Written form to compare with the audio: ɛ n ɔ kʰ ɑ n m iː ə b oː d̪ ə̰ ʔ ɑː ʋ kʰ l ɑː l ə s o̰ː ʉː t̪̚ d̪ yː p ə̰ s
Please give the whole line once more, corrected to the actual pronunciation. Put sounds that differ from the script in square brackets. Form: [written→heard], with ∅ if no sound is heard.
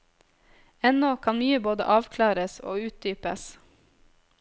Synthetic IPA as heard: ɛ n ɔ kʰ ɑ n m [iː→yː] ə b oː d̪ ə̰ ʔ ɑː ʋ kʰ l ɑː [l→ɾ] ə s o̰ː ʉː t̪̚ d̪ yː p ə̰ s

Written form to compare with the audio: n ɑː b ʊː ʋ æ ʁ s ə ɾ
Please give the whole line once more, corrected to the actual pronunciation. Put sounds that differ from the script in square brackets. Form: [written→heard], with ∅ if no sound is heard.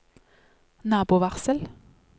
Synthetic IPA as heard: n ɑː b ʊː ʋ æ ʁ s ə [ɾ→l]

